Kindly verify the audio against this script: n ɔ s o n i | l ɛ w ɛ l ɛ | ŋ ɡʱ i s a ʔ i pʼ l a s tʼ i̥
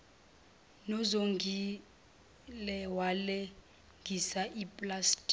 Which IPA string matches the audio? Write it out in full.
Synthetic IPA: n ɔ z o ŋ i | l ɛ w a l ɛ | ŋ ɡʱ i s a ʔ i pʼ l a s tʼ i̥

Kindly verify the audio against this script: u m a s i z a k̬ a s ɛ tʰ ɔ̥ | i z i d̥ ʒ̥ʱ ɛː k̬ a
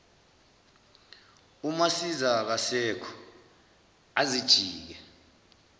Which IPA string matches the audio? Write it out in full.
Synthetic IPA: u m a s i z a k̬ a s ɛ kʰ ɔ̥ | a z i d̥ ʒ̥ʱ iː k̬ ɛ

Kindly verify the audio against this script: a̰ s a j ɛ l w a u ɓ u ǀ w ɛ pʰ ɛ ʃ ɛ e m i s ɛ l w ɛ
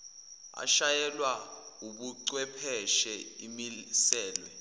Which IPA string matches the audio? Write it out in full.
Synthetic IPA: a̰ ʃ a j ɛ l w a u ɓ u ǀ w ɛ pʰ ɛ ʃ ɛ i m i s ɛː l w ɛ

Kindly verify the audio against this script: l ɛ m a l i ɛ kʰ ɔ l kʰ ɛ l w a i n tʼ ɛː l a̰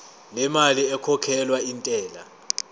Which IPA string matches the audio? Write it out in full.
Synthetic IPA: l ɛ m a l i ɛ kʰ ɔ kʰ ɛ l w a i n tʼ ɛː l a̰

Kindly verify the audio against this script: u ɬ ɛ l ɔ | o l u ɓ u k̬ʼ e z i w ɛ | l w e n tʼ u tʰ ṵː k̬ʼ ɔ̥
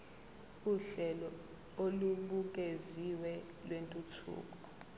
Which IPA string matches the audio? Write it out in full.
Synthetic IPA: u ɬ ɛ l ɔ | o l u ɓ u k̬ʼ e z i w ɛ | l w e n tʼ u tʰ ṵː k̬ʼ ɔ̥

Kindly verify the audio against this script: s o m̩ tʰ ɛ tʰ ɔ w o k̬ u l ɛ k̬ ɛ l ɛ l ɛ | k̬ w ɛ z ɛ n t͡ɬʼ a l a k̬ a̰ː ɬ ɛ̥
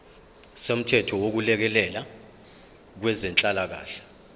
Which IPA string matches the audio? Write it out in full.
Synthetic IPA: s o m̩ tʰ ɛ tʰ ɔ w o k̬ u l ɛ k̬ ɛ l ɛ l a | k̬ w ɛ z ɛ n t͡ɬʼ a l a k̬ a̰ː ɬ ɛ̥

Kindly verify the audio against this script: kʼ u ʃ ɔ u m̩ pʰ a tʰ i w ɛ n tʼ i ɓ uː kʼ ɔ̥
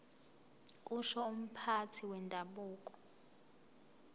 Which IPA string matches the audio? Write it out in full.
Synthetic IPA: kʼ u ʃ ɔ u m̩ pʰ a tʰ i w ɛ n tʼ a ɓ uː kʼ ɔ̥

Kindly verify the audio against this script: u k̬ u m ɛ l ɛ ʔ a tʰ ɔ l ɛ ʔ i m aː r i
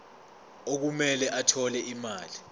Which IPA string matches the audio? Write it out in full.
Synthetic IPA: o k̬ u m ɛ l ɛ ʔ a tʰ ɔ l ɛ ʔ i m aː l i

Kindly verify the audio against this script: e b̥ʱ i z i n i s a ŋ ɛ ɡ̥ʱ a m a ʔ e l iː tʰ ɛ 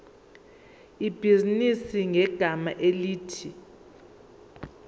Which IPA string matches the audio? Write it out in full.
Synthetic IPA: i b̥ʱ i z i n i s i ŋ ɛ ɡ̥ʱ a m a ʔ e l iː tʰ i

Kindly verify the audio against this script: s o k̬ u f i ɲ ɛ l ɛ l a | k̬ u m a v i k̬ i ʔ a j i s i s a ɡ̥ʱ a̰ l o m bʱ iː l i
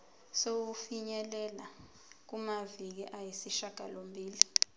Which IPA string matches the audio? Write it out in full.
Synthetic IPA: s o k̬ u f i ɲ ɛ l ɛ l a | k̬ u m a v i k̬ i ʔ a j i s i ʃ a ɡ̥ʱ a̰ l o m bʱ iː l i

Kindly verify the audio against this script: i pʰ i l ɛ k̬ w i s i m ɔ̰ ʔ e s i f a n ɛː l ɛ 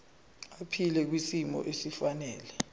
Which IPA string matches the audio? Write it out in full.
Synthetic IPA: a pʰ i l ɛ k̬ w i s i m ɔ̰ ʔ e s i f a n ɛː l ɛ

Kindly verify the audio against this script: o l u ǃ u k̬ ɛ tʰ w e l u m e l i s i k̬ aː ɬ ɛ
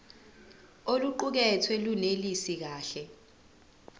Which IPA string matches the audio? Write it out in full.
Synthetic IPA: o l u ǃ u k̬ ɛ tʰ w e l u n e l i s i k̬ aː ɬ ɛ

